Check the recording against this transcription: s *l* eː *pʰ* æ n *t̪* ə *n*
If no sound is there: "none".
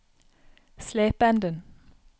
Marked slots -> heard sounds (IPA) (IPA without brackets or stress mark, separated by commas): l, p, d̪, n